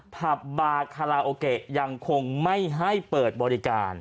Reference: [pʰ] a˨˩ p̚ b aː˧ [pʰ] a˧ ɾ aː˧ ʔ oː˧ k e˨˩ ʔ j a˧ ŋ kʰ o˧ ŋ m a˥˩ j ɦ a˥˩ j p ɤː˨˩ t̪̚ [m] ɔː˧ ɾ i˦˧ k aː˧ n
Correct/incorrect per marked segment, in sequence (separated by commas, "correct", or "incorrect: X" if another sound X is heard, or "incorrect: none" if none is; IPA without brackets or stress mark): correct, incorrect: kʰ, incorrect: b